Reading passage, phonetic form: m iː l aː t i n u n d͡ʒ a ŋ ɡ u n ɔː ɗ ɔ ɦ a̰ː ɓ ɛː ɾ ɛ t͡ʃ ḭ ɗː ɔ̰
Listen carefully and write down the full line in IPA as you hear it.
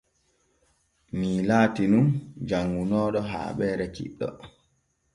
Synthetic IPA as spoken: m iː l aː t i n u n d͡ʒ a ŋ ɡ u n ɔː ɗ ɔ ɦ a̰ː ɓ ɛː ɾ ɛ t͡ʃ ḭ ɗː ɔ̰